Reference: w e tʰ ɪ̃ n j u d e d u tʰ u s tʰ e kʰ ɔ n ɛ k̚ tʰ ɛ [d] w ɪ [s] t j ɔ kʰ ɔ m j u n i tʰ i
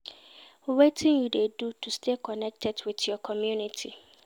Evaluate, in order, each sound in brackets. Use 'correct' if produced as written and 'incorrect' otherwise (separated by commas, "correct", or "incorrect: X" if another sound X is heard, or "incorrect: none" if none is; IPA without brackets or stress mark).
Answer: correct, incorrect: none